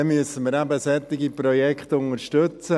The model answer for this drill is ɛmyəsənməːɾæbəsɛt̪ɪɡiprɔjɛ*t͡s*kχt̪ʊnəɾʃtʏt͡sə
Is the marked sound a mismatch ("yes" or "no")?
yes